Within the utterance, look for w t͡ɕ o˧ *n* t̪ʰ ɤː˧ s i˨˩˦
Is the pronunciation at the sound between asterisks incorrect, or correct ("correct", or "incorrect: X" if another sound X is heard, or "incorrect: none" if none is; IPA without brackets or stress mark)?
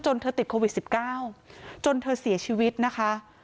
correct